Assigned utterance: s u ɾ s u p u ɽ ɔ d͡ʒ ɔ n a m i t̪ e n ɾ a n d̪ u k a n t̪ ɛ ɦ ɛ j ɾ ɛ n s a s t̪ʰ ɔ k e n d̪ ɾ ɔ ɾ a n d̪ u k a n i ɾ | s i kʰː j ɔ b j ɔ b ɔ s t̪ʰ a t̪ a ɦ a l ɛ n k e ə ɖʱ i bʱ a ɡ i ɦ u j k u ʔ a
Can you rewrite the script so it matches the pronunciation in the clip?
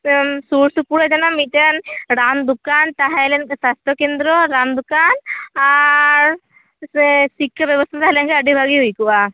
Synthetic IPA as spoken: s u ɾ s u p u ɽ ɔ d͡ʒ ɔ n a m i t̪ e n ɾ a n d̪ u k a n t̪ a ɦ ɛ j l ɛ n s a s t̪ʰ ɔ k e n d̪ ɾ ɔ ɾ a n d̪ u k a n a ɾ | s i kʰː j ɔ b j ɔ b ɔ s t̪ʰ a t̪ a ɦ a l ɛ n k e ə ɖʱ i bʱ a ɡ i ɦ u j k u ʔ a